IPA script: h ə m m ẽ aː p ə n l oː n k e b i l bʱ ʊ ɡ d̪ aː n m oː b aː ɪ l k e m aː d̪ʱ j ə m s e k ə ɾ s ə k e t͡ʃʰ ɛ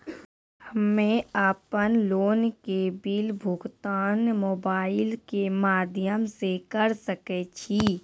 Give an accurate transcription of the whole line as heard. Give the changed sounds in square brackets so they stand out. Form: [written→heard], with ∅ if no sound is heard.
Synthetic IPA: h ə m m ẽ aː p ə n l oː n k e b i l bʱ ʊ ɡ [d̪→t̪] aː n m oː b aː ɪ l k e m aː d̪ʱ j ə m s e k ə ɾ s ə k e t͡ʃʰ [ɛ→i]